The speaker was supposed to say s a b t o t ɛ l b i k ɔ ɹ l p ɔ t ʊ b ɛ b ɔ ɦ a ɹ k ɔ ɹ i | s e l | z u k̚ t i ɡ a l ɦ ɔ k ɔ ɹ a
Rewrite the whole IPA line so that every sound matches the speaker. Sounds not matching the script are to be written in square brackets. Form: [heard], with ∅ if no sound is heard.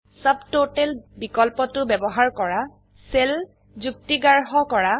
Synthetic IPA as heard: s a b t o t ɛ l b i k ɔ [∅] l p ɔ t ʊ b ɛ b ɔ ɦ a ɹ k ɔ ɹ [a] | s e l | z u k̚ t i ɡ a [ɹ] ɦ ɔ k ɔ ɹ a